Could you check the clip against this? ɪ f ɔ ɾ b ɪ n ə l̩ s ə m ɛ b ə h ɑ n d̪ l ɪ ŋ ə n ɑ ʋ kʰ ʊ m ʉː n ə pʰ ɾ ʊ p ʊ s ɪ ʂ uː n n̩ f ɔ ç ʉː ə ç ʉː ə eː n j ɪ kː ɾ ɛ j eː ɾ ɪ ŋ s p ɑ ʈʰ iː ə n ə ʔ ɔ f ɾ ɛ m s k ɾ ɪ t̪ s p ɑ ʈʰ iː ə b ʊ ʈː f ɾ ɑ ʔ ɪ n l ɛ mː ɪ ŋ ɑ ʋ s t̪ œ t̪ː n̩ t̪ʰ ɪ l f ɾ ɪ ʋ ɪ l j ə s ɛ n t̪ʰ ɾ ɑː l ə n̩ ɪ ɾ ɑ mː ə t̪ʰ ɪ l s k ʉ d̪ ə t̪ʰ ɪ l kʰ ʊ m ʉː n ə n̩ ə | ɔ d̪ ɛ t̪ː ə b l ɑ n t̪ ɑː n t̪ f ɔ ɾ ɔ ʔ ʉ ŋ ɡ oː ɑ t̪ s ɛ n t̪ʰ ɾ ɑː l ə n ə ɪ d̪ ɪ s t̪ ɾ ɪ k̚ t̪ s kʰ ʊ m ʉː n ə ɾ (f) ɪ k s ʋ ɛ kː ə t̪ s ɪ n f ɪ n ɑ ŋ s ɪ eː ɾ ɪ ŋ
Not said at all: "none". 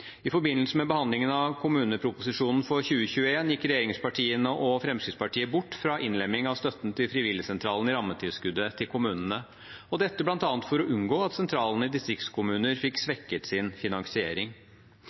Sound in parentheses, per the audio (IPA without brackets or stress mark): f